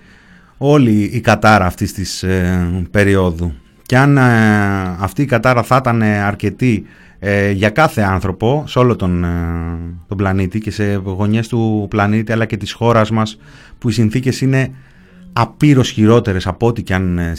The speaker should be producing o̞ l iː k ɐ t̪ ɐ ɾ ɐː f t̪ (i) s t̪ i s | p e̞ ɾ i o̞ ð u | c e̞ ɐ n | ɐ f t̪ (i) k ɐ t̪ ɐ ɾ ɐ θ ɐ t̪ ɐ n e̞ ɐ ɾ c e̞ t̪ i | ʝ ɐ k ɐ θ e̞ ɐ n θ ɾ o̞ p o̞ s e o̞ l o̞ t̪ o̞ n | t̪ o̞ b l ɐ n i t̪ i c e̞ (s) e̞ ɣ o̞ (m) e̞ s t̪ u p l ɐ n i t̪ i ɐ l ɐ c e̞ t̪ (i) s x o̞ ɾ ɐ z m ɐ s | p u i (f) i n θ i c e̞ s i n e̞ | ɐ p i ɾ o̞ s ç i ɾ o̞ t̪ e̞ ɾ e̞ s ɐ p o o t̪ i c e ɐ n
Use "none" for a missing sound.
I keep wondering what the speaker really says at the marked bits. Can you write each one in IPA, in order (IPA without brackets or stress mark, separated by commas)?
i, iː, s, ɲ, i, s